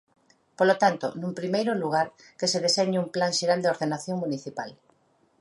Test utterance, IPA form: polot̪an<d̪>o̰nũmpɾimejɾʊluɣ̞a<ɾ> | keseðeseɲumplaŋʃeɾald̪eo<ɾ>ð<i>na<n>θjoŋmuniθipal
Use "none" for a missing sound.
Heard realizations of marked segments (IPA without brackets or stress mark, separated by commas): t̪, ɾ, ɾ, e, none